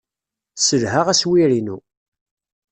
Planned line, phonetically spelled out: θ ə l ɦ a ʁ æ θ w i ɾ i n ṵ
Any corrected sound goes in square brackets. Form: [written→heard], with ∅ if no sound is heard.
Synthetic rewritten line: [θ→s] ə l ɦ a ʁ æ [θ→s] w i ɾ i n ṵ